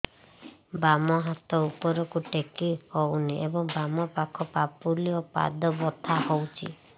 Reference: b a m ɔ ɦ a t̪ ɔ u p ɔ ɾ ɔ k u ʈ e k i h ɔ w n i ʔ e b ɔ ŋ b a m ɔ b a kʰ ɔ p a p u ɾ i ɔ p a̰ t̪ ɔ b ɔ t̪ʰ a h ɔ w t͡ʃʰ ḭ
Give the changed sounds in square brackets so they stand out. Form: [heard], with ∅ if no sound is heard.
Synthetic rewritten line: b a m ɔ ɦ a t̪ ɔ u p ɔ ɾ ɔ k u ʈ e k i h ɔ w n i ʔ e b ɔ ŋ b a m ɔ [p] a kʰ ɔ p a p u [l] i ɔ p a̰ [d̪] ɔ b ɔ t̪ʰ a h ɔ w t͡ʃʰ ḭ

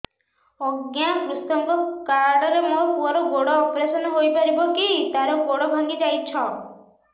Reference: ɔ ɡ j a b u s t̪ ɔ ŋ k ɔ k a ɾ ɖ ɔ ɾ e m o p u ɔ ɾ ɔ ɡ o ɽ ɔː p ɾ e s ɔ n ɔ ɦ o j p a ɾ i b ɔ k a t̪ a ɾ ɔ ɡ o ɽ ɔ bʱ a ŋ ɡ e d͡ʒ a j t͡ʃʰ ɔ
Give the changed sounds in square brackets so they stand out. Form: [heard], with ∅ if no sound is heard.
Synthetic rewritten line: ɔ ɡ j a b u s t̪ ɔ ŋ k ɔ k a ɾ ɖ ɔ ɾ e m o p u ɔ ɾ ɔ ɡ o ɽ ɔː p ɾ e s ɔ n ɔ ɦ o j p a ɾ i b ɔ k [i] t̪ a ɾ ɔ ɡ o ɽ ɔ bʱ a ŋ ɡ [i] d͡ʒ a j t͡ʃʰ ɔ

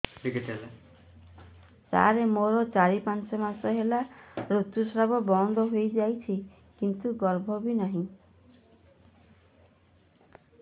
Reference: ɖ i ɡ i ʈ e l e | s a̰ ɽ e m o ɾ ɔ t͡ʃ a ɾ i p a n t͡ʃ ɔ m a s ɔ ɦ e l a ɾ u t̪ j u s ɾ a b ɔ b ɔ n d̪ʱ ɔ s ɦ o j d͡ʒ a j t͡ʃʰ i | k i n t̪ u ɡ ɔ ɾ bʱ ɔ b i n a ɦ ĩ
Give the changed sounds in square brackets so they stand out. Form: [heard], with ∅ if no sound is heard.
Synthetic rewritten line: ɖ i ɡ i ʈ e l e | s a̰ [ɾ] e m o ɾ ɔ t͡ʃ a ɾ i p a n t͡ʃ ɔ m a s ɔ ɦ e l a ɾ u t̪ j u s ɾ a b ɔ b ɔ n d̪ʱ ɔ [∅] ɦ o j d͡ʒ a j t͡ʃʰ i | k i n t̪ u ɡ ɔ ɾ bʱ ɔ b i n a ɦ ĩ

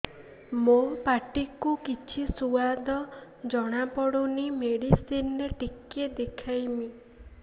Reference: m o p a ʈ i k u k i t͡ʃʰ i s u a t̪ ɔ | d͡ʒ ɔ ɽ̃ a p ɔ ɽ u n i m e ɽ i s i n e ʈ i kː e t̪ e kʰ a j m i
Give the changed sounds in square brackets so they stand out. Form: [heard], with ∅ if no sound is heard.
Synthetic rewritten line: m o p a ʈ i k u k i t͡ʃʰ i s u a [d̪] ɔ | d͡ʒ ɔ ɽ̃ a p ɔ ɽ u n i m e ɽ i s i n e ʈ i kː e [d̪] e kʰ a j m i

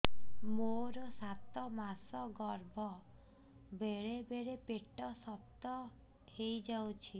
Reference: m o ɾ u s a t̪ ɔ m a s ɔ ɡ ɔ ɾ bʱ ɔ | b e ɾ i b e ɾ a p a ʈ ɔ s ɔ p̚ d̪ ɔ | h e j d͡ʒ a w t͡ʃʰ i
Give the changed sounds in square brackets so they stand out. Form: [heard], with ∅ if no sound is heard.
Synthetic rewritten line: m o ɾ [ɔ] s a t̪ ɔ m a s ɔ ɡ ɔ ɾ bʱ ɔ | b e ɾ [e] b e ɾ [e] p [e] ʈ ɔ s ɔ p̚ [t̪] ɔ | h e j d͡ʒ a w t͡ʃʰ i

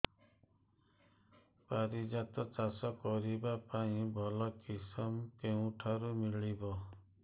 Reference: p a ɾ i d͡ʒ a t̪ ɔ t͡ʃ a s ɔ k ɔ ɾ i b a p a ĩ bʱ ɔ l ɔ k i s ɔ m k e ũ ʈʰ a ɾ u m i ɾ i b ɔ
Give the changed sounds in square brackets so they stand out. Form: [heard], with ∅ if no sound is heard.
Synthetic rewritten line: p a ɾ i d͡ʒ a t̪ ɔ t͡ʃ a s ɔ k ɔ ɾ i b a p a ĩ bʱ ɔ l ɔ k i s ɔ m k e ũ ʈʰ a ɾ u m i [ɭ] i b ɔ

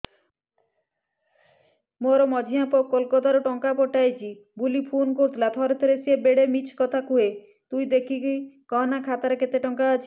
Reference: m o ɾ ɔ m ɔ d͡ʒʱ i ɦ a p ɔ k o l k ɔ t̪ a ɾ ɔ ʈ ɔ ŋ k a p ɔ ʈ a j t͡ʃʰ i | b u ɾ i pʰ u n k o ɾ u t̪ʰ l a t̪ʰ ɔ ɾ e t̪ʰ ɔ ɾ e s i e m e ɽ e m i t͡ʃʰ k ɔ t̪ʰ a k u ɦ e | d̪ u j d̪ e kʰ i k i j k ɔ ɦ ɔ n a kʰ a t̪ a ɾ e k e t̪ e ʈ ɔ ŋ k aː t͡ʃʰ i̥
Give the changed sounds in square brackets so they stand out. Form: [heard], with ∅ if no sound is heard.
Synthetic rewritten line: m o ɾ ɔ m ɔ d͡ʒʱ i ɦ a p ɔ k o l k ɔ t̪ a ɾ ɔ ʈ ɔ ŋ k a p ɔ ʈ a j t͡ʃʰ i | b u [l] i pʰ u n k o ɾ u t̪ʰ l a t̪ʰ ɔ ɾ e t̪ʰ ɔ ɾ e s i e [b] e ɽ e m i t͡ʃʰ k ɔ t̪ʰ a k u ɦ e | [t̪] u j d̪ e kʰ i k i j k ɔ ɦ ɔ n a kʰ a t̪ a ɾ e k e t̪ e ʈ ɔ ŋ k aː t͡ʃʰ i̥

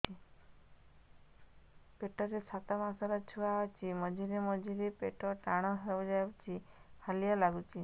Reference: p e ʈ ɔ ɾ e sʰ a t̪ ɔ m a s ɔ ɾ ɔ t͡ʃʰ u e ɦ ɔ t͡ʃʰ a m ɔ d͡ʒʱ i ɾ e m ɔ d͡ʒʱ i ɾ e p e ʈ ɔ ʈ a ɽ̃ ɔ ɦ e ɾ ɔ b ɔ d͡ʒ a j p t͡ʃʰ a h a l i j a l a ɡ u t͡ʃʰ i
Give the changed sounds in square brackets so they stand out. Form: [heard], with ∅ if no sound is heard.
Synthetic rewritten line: p e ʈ ɔ ɾ e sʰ a t̪ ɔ m a s ɔ ɾ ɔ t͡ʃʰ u [a] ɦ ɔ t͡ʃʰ [i] m ɔ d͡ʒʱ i ɾ e m ɔ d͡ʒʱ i ɾ e p e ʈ ɔ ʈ a ɽ̃ ɔ ɦ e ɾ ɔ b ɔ d͡ʒ a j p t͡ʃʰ [i] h a l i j a l a ɡ u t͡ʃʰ i

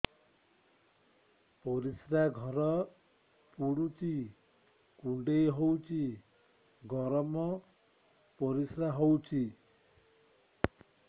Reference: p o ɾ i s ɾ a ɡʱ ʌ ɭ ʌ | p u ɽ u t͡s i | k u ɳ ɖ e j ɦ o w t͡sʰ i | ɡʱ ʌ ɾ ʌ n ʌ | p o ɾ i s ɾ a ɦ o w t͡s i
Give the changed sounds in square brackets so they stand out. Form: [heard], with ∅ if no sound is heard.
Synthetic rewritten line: p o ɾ i s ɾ a ɡʱ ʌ [ɾ] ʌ | p u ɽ u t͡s i | k u ɳ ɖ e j ɦ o w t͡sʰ i | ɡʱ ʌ ɾ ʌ [m] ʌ | p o ɾ i s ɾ a ɦ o w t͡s i

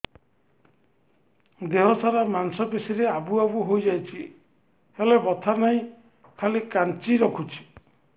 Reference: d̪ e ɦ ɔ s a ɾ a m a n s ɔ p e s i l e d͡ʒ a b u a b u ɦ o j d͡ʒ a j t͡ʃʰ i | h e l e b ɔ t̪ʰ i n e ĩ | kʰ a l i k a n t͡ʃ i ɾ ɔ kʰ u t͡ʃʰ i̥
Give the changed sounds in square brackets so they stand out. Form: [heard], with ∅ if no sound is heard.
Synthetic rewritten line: d̪ e ɦ ɔ s a ɾ a m a n s ɔ p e s i [ɾ] e [∅] a b u a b u ɦ o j d͡ʒ a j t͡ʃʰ i | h e l e b ɔ t̪ʰ [a] n [a] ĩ | kʰ a l i k a n t͡ʃ i ɾ ɔ kʰ u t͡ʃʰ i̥

